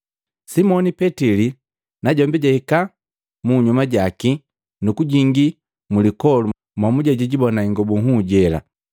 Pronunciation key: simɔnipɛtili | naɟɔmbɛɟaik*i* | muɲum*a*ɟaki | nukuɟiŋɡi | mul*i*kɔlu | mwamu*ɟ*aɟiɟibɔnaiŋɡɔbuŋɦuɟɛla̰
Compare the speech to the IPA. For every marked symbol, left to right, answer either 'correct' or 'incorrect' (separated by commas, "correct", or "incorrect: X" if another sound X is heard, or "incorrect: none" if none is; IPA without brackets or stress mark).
incorrect: a, correct, correct, correct